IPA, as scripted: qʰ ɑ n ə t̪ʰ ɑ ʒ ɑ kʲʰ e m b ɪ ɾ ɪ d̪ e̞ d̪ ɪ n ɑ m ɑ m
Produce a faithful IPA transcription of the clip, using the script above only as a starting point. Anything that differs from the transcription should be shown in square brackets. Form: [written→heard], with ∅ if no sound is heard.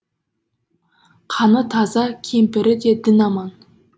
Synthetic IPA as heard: qʰ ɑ n ə t̪ʰ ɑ [ʒ→z] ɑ kʲʰ e m [b→p] ɪ ɾ ɪ d̪ e̞ d̪ ɪ n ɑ m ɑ [m→n]